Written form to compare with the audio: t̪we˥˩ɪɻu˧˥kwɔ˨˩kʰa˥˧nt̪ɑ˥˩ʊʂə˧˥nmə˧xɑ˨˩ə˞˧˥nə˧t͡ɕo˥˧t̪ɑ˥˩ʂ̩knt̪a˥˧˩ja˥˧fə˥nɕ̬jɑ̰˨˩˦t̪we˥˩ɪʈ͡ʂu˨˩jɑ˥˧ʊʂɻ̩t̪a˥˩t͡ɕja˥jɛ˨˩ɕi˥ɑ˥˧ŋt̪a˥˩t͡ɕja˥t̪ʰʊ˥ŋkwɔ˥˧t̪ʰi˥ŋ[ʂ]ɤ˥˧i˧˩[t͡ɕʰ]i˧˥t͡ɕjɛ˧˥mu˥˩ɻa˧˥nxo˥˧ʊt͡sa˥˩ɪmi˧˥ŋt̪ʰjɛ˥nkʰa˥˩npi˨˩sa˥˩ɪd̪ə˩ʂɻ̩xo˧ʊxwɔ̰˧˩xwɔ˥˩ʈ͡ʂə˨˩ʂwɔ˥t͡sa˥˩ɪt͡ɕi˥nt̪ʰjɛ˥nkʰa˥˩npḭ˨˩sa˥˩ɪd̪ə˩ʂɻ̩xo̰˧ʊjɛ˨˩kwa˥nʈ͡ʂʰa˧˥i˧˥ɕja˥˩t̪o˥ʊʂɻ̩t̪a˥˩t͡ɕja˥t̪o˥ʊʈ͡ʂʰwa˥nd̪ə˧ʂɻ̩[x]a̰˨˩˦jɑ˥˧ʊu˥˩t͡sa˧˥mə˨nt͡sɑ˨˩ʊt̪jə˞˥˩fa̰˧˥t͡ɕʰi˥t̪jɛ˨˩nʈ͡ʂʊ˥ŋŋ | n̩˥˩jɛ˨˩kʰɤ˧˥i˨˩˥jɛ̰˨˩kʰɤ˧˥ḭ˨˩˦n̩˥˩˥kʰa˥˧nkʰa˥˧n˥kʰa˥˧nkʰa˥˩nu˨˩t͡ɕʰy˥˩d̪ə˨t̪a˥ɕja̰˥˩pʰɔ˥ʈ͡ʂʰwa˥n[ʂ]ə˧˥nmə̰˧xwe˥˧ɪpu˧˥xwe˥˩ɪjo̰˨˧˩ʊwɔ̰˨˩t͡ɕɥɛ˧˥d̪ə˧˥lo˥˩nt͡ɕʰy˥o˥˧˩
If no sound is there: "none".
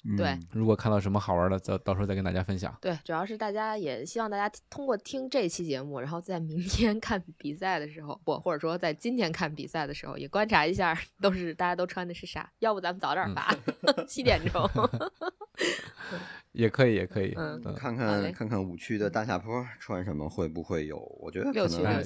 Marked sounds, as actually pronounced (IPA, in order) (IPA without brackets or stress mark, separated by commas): ʈ͡ʂ, t͡ɕʰ, ʂ, ʂ